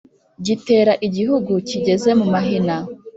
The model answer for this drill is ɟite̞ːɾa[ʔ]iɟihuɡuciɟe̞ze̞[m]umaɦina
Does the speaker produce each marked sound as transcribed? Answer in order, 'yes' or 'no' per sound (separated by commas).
yes, yes